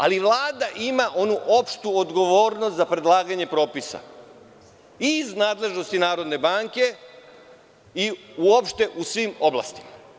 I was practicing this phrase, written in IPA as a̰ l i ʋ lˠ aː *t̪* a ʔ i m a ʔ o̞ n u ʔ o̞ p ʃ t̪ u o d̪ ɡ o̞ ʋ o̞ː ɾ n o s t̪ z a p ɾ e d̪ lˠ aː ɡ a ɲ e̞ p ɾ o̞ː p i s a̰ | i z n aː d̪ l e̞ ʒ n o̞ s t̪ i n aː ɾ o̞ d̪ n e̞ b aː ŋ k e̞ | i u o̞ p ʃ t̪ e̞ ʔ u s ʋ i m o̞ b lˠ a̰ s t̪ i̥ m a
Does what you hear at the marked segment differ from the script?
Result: yes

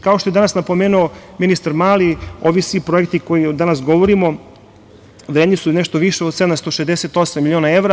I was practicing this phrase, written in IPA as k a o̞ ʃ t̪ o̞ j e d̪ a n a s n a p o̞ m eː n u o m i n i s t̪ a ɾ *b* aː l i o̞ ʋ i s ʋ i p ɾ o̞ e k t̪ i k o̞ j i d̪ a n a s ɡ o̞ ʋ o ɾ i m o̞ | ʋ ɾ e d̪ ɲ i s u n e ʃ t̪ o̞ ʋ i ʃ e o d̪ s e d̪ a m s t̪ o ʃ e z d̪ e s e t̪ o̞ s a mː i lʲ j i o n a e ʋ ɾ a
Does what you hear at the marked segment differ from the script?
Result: yes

